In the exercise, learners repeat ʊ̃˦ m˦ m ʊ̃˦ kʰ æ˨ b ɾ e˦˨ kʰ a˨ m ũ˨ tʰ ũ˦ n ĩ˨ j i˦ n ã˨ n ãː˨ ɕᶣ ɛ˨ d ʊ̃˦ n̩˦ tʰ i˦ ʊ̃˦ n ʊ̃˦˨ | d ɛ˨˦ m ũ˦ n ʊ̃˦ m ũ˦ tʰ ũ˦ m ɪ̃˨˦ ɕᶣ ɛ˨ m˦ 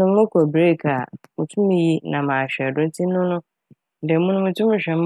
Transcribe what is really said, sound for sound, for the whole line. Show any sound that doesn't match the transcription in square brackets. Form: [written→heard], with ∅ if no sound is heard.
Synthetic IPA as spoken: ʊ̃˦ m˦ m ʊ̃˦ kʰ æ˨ b ɾ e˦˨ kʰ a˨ m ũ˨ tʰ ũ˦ [n→m] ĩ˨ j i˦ n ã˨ [n→m] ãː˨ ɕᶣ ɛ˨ d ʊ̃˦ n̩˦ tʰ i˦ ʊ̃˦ n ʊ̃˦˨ | d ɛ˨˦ m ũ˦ n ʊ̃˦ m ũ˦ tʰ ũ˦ m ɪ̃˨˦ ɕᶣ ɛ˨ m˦